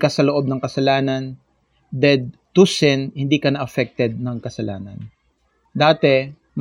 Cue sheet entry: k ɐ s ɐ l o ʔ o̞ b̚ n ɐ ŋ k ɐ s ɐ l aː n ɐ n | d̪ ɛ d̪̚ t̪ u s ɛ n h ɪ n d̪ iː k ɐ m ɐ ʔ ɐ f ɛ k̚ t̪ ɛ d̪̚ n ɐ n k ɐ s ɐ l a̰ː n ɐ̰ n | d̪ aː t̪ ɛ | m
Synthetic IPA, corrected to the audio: k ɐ s ɐ l o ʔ o̞ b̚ n ɐ ŋ k ɐ s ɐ l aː n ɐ n | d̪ ɛ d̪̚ t̪ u s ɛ n h ɪ n d̪ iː k ɐ n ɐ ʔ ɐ f ɛ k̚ t̪ ɛ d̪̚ n ɐ ŋ k ɐ s ɐ l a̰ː n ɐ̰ n | d̪ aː t̪ ɛ | m